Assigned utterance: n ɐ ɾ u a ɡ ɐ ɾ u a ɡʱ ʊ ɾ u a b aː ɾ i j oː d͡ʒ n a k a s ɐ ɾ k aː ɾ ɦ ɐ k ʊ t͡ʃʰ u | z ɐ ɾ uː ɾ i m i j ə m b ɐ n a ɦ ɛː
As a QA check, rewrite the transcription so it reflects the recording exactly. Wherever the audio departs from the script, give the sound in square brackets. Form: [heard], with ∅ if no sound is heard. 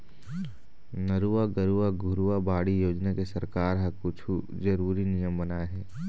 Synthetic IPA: n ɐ ɾ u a ɡ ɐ ɾ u a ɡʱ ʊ ɾ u a b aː [ɽ] i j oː d͡ʒ n a k [e] s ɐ ɾ k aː ɾ ɦ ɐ k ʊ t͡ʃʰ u | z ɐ ɾ uː ɾ i [n] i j ə m b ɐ n a ɦ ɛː